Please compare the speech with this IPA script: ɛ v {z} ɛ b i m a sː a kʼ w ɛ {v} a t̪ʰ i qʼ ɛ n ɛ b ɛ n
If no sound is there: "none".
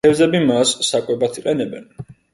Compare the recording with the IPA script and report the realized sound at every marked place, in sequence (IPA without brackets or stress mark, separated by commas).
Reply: z, b